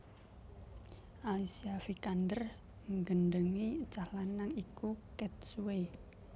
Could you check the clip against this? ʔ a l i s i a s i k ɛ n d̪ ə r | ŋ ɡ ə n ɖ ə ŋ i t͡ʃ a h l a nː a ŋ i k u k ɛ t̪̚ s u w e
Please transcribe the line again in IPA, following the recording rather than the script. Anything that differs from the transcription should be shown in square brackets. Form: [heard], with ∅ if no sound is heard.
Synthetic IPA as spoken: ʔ a l i s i a [f] i k [a] n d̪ ə r | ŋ ɡ ə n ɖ ə ŋ i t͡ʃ a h l a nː a ŋ i k u k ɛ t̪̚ s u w e